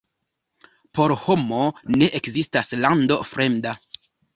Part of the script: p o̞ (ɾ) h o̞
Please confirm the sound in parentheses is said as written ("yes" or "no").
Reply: yes